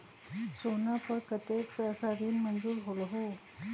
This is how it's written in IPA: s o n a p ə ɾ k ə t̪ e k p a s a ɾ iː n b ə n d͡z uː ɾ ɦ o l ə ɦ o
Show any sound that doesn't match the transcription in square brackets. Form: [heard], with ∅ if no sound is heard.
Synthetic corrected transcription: s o n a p ə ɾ k ə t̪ e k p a s a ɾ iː n [m] ə n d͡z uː ɾ ɦ o l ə ɦ o